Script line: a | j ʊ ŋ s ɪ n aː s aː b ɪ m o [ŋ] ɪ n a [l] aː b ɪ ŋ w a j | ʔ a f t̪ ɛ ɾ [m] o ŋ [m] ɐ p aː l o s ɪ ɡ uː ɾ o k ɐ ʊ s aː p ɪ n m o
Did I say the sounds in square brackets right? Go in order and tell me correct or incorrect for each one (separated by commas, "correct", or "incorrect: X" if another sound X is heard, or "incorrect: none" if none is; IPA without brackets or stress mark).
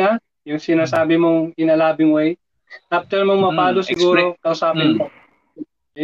correct, correct, correct, correct